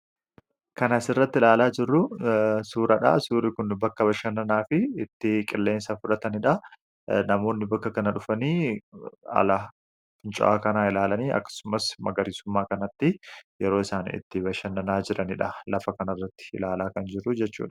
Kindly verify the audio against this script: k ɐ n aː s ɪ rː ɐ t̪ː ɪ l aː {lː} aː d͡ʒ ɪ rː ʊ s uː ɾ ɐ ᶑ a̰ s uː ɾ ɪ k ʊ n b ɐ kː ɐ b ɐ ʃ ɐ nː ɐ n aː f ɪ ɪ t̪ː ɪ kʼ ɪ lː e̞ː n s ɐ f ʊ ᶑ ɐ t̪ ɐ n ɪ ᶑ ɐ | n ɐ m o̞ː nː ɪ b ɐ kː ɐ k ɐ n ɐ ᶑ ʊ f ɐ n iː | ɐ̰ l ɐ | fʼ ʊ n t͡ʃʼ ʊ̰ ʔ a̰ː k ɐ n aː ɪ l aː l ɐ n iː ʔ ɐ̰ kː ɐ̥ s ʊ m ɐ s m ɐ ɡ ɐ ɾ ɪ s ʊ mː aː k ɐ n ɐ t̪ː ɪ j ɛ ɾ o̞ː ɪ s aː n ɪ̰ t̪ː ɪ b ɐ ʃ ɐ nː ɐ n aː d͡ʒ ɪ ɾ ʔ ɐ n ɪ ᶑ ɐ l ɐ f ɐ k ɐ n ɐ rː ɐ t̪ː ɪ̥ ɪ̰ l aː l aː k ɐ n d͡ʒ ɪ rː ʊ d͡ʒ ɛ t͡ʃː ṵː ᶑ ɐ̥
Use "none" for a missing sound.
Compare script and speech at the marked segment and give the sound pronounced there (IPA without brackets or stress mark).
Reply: l